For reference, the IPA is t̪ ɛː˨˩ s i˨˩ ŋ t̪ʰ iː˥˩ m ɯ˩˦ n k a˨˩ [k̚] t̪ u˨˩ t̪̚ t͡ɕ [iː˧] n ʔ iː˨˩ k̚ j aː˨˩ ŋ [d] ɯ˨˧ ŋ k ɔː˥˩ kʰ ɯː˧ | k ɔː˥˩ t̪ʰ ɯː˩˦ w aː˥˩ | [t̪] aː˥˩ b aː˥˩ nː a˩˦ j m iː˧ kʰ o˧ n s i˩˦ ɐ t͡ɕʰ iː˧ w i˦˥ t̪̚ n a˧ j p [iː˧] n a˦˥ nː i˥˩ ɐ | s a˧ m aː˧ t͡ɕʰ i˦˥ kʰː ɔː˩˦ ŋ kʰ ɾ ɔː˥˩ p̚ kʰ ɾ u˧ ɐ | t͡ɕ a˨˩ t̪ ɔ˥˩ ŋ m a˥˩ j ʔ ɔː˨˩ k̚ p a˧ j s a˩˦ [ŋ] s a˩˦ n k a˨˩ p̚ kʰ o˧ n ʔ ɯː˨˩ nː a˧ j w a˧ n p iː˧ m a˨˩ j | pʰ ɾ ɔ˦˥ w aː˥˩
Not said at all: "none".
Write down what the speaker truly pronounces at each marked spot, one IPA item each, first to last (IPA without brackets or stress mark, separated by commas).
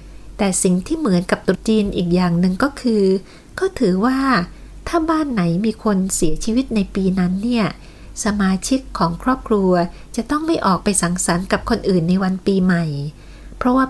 p̚, iː˧, n, t̪ʰ, iː˧, ŋ